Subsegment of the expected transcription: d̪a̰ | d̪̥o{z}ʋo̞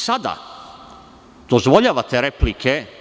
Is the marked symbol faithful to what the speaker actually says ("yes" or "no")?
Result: yes